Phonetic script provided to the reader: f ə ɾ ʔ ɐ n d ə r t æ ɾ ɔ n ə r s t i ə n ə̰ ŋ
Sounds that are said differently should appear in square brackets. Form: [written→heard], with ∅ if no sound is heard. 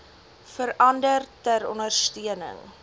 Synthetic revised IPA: f ə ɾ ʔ ɐ n d ə r t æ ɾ ɔ n ə r s t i ə n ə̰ ŋ